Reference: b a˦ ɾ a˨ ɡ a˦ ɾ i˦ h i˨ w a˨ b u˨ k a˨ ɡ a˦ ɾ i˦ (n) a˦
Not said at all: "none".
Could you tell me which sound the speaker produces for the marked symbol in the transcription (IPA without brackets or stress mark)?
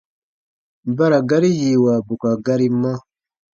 m